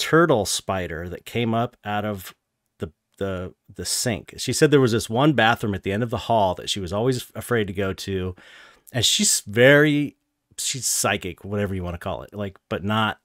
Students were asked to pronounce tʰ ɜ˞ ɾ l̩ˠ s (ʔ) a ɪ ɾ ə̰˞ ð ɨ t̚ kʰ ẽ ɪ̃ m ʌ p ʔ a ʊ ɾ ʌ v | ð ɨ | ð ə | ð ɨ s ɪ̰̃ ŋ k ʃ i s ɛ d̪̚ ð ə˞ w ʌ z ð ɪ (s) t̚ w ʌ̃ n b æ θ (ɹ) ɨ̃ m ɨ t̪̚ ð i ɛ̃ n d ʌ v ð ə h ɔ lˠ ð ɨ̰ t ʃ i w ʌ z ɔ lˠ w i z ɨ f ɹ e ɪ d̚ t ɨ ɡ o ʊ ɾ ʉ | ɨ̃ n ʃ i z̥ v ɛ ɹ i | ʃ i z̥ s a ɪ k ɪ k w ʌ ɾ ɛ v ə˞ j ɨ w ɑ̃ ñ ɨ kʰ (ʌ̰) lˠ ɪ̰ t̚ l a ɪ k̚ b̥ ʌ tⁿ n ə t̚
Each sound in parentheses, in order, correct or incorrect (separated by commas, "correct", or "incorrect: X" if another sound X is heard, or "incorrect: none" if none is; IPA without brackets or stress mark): incorrect: p, correct, correct, incorrect: ɔ̰